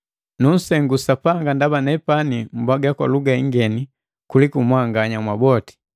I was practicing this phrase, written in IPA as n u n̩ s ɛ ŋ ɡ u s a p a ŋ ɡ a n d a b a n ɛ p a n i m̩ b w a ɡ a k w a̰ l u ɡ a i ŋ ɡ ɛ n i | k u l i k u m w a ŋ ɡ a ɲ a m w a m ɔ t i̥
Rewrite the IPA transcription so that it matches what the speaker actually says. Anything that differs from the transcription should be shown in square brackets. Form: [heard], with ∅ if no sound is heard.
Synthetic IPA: n u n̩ s ɛ ŋ ɡ u s a p a ŋ ɡ a n d a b a n ɛ p a n i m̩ b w a ɡ a k w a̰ l u ɡ a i ŋ ɡ ɛ n i | k u l i k u m w a ŋ ɡ a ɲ a m w a [b] ɔ t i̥